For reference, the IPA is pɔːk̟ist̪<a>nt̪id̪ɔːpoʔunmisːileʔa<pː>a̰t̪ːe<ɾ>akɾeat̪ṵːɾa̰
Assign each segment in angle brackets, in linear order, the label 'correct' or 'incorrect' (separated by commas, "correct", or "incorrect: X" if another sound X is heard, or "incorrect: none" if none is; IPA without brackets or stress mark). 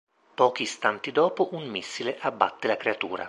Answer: correct, incorrect: bː, incorrect: l